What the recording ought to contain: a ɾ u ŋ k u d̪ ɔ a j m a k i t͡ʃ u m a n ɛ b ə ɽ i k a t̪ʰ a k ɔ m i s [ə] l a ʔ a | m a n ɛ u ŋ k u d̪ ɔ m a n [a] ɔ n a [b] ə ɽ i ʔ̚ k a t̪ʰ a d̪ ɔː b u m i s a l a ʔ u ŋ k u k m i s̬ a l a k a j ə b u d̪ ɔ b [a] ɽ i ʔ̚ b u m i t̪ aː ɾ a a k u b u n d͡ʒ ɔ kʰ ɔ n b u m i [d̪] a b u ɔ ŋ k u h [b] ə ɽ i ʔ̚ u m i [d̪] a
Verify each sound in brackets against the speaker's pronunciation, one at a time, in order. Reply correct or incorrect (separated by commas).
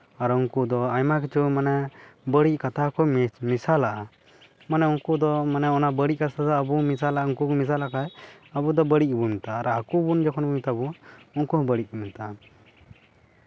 incorrect, incorrect, correct, incorrect, incorrect, correct, incorrect